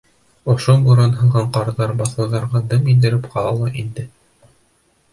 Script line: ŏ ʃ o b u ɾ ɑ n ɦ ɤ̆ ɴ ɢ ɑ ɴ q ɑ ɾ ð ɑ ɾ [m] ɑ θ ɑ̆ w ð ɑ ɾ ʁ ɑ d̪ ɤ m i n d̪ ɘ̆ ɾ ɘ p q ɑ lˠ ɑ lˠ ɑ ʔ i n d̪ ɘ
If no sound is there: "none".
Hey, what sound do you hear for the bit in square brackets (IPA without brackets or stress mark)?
b